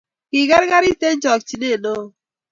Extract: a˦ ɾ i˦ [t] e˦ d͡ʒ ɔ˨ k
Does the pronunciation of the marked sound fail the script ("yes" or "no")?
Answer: no